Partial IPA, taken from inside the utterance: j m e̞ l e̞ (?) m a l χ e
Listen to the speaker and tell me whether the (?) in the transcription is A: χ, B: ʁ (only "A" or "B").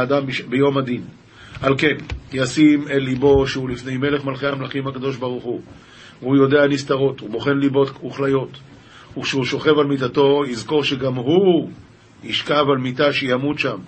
A